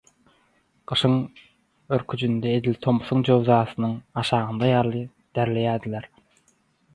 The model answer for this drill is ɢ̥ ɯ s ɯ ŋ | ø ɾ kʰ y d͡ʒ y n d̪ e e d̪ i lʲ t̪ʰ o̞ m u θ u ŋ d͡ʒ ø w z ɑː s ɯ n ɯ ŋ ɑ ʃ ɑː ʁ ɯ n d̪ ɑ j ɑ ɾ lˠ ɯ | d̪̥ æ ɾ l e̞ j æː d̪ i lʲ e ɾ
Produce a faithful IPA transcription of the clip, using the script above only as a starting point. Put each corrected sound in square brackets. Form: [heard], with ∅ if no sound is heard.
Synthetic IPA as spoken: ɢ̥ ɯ [ʃ] ɯ ŋ | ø ɾ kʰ y d͡ʒ y n d̪ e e d̪ i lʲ t̪ʰ o̞ m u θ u ŋ d͡ʒ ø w z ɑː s ɯ n ɯ ŋ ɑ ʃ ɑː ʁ ɯ n d̪ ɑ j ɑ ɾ lˠ ɯ | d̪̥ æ ɾ l e̞ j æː d̪ i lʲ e ɾ